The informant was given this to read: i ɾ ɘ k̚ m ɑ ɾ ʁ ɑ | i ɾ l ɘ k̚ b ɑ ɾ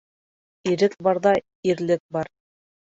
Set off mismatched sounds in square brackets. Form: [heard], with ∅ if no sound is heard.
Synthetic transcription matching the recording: i ɾ ɘ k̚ [b] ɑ ɾ [ð] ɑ | i ɾ l ɘ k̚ b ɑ ɾ